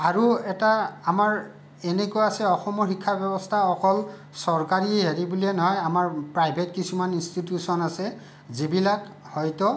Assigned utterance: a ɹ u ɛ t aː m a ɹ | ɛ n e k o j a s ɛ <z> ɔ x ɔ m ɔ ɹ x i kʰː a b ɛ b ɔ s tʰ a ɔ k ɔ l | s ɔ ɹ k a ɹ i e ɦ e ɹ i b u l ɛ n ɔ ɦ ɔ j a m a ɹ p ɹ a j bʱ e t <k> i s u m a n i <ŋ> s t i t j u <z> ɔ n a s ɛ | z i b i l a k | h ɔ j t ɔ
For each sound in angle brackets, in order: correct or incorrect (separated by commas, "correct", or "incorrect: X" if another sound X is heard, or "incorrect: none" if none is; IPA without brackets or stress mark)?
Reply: incorrect: none, correct, incorrect: n, incorrect: s